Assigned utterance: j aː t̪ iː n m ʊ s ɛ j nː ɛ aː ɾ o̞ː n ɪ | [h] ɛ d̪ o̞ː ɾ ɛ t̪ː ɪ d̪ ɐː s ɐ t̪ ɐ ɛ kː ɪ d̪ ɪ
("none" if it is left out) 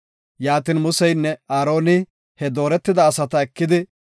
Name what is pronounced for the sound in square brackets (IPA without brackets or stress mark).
h